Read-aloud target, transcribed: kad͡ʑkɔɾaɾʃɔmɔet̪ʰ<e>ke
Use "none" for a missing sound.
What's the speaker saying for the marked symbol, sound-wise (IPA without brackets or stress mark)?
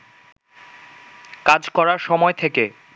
e